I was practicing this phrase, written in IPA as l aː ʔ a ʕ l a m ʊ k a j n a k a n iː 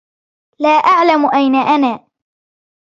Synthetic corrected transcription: l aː ʔ a ʕ l a m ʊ ʔ a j n a ʔ a n aː